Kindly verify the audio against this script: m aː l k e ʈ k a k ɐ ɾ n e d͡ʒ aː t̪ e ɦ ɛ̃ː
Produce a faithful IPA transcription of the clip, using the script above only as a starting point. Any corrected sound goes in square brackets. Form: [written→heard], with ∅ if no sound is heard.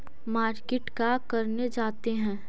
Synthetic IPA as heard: m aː [l→ɾ] k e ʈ k a k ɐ ɾ n e d͡ʒ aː t̪ e ɦ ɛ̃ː